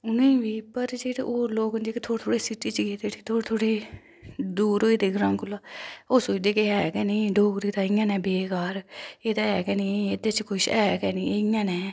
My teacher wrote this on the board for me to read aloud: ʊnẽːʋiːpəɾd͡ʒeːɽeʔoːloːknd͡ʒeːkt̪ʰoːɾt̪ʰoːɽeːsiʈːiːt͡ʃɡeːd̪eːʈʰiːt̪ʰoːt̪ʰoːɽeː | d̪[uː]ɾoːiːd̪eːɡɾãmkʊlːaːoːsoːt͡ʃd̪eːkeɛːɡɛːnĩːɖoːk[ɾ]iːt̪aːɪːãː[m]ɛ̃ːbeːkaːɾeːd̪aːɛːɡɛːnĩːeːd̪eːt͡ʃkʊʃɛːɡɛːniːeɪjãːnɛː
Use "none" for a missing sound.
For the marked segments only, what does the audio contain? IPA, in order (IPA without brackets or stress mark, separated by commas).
uː, ɾ, n